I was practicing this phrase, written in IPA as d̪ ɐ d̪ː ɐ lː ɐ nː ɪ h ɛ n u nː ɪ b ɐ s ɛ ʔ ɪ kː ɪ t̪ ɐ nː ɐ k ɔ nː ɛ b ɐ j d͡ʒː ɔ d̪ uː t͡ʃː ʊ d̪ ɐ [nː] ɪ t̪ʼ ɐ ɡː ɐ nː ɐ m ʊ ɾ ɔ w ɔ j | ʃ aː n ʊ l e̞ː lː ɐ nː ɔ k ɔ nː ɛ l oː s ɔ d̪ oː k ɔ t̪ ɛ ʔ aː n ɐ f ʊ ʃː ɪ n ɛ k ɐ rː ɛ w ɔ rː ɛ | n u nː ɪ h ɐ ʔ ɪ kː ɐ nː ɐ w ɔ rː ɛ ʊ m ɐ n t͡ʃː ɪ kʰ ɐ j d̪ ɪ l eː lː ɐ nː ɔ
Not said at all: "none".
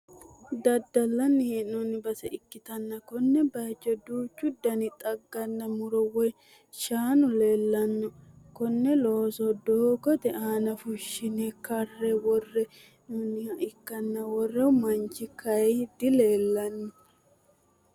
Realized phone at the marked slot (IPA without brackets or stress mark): n